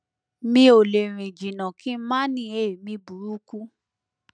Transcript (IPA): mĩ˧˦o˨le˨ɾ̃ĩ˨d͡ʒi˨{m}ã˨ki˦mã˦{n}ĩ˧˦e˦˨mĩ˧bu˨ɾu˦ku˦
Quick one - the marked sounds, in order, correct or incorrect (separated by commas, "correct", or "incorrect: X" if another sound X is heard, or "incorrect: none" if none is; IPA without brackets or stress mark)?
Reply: incorrect: n, correct